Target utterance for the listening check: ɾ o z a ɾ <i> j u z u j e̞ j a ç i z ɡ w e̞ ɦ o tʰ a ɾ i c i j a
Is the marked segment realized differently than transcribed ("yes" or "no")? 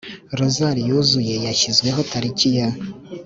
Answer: no